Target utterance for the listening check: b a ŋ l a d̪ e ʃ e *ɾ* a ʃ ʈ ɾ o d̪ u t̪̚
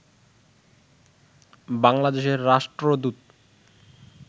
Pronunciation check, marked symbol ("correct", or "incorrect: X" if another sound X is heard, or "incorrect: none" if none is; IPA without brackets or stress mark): incorrect: ɾː